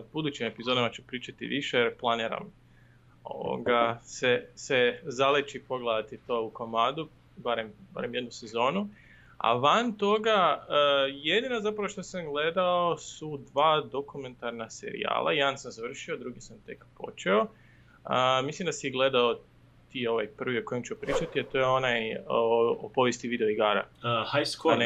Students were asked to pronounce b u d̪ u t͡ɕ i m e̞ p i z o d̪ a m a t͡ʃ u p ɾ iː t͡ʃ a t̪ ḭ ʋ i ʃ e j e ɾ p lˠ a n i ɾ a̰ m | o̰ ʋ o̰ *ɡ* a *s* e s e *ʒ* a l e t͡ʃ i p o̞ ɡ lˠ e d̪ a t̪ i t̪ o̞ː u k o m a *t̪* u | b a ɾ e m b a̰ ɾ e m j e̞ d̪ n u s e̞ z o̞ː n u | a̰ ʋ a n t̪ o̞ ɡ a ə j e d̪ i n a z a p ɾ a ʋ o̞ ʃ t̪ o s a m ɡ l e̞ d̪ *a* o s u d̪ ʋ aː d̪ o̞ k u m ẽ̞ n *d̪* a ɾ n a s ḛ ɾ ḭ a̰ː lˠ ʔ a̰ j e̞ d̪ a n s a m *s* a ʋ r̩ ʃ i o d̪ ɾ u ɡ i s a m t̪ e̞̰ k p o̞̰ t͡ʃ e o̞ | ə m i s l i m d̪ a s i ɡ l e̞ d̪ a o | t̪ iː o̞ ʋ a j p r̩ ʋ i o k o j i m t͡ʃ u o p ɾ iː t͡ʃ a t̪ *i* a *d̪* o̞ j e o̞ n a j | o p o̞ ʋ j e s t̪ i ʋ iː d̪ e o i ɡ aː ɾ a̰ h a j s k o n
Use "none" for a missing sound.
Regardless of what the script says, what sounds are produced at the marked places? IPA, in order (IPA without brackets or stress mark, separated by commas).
ɡ, s, z, d̪, a, t̪, z, i, t̪